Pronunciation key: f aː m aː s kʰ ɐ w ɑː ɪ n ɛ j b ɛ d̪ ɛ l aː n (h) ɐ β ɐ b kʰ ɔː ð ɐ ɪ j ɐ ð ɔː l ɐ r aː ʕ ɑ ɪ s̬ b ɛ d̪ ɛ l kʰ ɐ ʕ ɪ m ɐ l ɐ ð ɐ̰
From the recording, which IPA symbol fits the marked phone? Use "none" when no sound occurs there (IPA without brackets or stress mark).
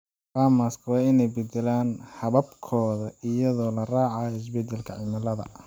h